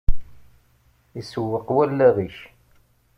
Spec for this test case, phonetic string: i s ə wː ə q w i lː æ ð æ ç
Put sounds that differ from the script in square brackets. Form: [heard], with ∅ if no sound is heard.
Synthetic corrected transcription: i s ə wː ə q w [æ] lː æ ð [i] ç